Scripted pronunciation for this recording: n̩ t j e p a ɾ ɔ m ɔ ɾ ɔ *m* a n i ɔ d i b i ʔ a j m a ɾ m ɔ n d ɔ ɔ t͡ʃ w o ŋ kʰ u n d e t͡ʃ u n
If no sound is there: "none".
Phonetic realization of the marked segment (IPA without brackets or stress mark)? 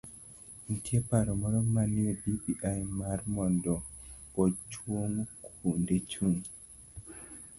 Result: m